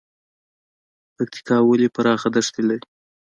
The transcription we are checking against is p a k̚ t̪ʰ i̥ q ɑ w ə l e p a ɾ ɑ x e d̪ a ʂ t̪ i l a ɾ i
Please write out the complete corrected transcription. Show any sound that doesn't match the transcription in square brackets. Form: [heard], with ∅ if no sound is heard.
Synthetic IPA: p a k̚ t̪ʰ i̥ [k] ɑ w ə l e p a ɾ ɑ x [a] d̪ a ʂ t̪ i l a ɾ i